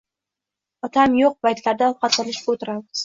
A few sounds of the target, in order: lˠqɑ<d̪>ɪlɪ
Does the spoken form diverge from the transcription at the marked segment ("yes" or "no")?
yes